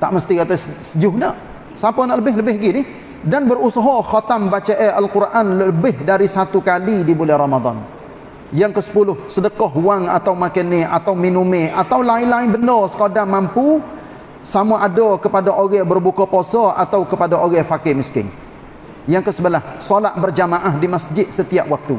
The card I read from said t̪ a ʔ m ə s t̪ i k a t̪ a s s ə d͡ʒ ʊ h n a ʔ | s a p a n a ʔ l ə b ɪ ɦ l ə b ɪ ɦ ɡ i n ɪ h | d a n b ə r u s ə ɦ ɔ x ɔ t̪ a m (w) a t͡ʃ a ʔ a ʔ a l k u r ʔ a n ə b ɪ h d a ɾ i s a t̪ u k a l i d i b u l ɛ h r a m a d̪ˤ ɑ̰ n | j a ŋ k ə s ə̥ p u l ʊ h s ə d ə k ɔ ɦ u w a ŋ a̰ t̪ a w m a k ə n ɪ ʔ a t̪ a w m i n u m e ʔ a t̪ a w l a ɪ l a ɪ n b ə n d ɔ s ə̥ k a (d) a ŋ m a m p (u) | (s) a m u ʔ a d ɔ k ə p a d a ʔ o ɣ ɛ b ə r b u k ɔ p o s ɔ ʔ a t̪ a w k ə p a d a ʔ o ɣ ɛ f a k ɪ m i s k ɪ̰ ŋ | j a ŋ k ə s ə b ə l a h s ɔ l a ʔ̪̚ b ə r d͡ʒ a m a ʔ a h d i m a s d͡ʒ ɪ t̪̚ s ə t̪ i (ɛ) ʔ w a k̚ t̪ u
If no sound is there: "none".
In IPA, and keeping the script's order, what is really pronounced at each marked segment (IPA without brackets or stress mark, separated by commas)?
b, d, u, s, a